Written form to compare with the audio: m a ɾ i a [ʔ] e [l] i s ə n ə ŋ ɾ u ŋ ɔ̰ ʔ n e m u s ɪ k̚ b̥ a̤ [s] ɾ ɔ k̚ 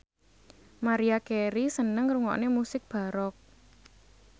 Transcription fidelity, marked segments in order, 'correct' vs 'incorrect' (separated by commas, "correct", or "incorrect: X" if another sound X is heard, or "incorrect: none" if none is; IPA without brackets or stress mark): incorrect: k, incorrect: ɾ, incorrect: none